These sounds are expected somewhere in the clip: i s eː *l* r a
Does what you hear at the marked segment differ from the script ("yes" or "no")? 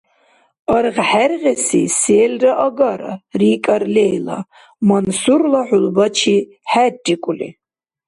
no